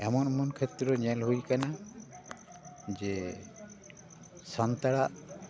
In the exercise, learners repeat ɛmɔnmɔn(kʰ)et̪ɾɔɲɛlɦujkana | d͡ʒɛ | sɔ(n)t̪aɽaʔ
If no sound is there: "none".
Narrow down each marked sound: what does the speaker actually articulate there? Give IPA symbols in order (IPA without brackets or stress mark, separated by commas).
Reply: kʰ, n